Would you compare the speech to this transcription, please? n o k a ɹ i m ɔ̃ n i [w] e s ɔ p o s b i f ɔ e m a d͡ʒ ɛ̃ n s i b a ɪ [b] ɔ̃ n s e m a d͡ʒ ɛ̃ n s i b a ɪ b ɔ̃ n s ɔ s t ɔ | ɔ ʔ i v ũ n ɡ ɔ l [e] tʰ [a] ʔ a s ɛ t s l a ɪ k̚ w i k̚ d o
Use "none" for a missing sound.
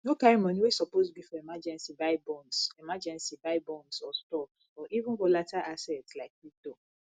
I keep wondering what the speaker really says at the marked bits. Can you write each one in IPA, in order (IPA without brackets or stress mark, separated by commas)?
w, b, a, a